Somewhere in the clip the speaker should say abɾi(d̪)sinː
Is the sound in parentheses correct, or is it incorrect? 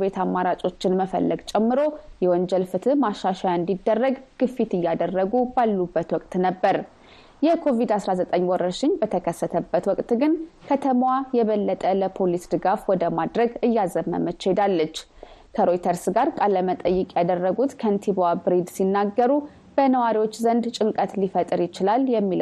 correct